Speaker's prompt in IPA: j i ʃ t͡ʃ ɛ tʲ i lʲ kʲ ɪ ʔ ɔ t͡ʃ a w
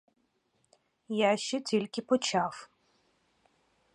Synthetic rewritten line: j a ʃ t͡ʃ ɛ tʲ i lʲ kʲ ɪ p ɔ t͡ʃ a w